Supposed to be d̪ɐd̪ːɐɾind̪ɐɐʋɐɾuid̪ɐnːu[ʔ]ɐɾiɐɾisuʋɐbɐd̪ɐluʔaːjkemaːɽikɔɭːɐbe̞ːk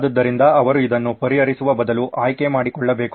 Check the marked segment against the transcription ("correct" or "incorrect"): incorrect